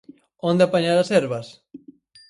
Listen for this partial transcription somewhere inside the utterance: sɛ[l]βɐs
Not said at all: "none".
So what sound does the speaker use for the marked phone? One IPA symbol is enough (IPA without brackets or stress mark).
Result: ɾ